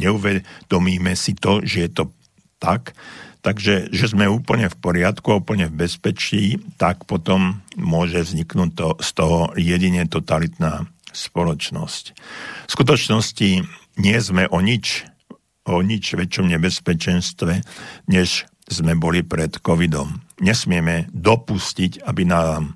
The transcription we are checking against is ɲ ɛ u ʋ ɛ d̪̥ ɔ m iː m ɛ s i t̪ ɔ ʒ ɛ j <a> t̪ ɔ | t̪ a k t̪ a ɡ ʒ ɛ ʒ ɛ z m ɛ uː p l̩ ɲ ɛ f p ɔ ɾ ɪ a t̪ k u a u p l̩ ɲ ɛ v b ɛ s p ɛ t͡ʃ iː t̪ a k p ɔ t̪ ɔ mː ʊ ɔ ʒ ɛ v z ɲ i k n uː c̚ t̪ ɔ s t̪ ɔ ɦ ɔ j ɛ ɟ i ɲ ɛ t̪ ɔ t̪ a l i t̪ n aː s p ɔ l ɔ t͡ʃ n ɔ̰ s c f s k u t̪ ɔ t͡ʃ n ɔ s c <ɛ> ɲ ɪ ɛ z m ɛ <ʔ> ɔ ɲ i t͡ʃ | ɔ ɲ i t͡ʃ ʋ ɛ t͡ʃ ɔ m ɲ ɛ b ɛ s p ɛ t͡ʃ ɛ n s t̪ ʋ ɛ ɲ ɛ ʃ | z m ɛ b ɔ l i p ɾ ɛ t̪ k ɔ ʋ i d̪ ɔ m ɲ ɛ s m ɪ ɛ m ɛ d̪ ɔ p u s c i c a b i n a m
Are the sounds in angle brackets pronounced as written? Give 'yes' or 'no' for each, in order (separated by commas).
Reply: no, no, yes